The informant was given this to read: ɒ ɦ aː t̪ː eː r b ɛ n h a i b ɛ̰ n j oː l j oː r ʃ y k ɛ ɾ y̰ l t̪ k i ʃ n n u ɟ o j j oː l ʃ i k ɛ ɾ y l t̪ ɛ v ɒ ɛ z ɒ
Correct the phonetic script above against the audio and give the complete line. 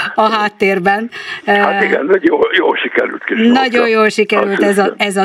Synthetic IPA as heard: ɒ ɦ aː t̪ː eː r b ɛ n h a i ɡ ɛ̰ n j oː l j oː l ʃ i k ɛ ɾ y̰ l t̪ k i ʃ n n ɒ ɟ o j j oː l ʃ i k ɛ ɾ y l t̪ ɛ z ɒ ɛ z ɒ